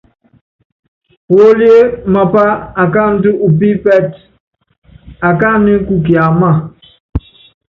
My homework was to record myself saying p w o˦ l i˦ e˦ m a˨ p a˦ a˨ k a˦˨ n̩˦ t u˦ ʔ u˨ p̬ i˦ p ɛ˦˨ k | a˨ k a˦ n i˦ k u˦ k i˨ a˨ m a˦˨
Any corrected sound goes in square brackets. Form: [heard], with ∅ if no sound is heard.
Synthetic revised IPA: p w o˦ l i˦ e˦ m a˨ p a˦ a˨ k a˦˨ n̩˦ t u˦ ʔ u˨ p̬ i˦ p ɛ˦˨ [t] | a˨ k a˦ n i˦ k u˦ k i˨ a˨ m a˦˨